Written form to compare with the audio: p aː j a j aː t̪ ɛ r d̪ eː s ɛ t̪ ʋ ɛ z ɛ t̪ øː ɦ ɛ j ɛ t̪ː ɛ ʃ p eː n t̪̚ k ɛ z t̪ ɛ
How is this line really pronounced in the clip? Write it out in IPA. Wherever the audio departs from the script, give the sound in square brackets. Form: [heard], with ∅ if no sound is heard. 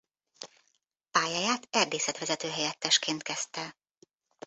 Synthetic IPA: p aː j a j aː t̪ ɛ r d̪ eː s ɛ t̪ ʋ ɛ z ɛ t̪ øː ɦ ɛ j ɛ t̪ː ɛ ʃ [k] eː n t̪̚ k ɛ [s] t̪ ɛ